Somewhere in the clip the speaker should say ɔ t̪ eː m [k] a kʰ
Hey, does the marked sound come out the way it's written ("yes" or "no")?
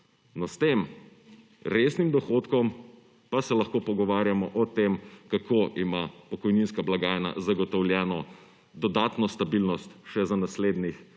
yes